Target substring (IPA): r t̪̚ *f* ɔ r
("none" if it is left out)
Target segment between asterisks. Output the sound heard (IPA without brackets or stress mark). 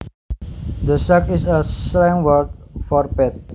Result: f